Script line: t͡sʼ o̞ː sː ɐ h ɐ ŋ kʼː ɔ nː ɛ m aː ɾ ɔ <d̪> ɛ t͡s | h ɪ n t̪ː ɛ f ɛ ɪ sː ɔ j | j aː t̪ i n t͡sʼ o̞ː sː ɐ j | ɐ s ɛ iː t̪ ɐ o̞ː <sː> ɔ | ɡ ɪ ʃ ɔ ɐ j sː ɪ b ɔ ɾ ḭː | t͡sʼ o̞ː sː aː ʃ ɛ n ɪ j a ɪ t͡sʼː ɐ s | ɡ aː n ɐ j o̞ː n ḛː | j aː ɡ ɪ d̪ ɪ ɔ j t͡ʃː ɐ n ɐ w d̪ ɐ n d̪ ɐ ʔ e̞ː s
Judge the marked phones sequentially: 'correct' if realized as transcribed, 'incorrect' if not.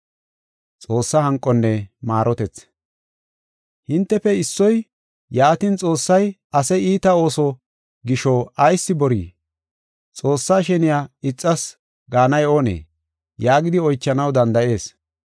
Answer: incorrect: t̪, incorrect: s

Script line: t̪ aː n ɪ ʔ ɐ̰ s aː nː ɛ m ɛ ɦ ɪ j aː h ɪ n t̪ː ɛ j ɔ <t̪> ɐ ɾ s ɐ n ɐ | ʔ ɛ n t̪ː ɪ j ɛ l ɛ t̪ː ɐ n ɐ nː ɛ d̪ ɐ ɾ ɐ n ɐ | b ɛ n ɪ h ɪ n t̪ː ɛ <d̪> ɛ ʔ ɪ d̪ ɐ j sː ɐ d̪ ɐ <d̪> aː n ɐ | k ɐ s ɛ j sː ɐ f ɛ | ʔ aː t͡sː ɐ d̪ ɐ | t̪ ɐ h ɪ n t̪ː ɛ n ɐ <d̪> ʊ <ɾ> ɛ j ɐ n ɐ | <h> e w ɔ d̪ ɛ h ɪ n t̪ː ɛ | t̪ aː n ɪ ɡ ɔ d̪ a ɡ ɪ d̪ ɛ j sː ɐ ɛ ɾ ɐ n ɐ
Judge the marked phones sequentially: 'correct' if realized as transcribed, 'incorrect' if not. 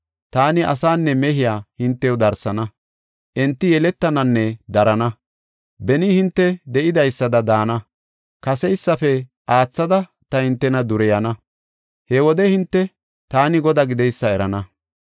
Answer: incorrect: d̪, correct, correct, correct, correct, correct

